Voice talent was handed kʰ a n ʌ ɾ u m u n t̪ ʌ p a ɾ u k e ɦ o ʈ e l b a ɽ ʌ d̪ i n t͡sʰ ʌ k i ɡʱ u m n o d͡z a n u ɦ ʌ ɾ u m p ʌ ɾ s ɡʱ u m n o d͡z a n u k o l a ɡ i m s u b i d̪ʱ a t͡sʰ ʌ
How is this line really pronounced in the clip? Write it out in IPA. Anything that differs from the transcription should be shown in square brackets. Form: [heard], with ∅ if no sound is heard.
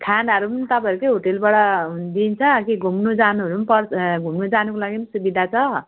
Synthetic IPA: kʰ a n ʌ ɾ u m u n t̪ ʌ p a ɾ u k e ɦ o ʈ e l b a ɽ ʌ d̪ i n t͡sʰ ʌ k i ɡʱ u m n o d͡z a n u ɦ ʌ ɾ u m p ʌ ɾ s ɡʱ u m n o d͡z a n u k o l a ɡ i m s u b i d̪ʱ a t͡sʰ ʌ